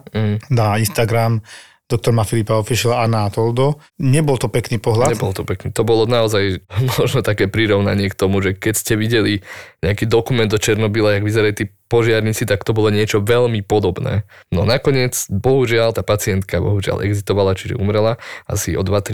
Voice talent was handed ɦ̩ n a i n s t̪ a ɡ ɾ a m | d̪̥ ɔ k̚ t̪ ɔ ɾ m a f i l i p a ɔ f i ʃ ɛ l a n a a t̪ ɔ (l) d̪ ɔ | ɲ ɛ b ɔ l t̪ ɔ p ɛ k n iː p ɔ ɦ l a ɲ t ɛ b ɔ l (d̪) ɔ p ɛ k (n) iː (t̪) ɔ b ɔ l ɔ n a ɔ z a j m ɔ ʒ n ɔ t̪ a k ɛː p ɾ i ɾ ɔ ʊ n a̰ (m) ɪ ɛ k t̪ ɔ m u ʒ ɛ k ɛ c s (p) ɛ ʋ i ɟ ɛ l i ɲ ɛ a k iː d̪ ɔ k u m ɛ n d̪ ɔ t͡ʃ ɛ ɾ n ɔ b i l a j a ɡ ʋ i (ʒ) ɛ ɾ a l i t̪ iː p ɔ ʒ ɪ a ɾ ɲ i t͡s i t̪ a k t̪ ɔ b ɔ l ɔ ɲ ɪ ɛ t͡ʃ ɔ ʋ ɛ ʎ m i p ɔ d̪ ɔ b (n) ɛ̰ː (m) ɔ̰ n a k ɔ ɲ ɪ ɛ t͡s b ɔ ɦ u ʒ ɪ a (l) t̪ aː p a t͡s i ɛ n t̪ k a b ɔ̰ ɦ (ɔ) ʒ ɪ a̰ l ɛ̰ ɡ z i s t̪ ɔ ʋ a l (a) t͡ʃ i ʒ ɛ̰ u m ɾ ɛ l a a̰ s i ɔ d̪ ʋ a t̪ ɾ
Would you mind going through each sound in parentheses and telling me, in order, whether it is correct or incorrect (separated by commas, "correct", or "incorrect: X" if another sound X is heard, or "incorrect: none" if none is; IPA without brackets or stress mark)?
correct, incorrect: t̪, correct, correct, incorrect: ɲ, incorrect: c, incorrect: z, correct, incorrect: n, correct, incorrect: u, correct